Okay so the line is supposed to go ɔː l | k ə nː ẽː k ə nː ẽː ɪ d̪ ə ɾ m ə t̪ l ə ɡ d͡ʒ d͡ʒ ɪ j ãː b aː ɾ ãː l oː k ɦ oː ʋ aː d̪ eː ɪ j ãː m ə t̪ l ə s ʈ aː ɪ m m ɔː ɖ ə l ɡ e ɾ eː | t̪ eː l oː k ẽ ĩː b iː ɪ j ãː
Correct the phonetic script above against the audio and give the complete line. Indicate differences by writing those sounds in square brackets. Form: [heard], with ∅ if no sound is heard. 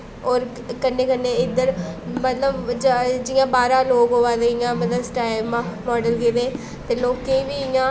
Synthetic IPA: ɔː [ɾ] | k ə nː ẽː k ə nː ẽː ɪ d̪ ə ɾ m ə t̪ l ə [b] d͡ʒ d͡ʒ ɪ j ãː b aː ɾ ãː l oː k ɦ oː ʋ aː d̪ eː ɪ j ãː m ə t̪ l ə s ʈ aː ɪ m m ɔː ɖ ə l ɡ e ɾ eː | t̪ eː l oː k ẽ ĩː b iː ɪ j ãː